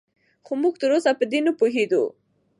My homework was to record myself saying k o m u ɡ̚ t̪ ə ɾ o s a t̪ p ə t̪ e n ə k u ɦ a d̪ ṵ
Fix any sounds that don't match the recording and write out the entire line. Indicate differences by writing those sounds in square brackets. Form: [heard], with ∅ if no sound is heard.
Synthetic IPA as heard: [x] o m u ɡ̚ t̪ ə ɾ o s a [∅] p ə [d̪] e n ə [p] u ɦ [e] d̪ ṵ